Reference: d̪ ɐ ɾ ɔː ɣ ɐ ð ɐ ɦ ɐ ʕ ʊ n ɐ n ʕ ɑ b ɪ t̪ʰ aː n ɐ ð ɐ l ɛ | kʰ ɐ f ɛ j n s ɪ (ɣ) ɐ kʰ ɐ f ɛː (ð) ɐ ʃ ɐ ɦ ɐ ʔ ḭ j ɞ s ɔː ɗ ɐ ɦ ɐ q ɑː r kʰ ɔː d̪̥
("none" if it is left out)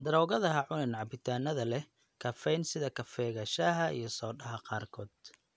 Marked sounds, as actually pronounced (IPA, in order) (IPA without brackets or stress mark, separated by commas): ð, ɣ